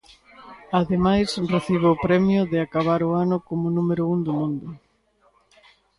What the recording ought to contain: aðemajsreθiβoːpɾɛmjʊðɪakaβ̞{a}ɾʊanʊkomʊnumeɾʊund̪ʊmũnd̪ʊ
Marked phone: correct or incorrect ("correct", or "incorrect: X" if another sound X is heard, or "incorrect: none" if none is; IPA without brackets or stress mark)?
correct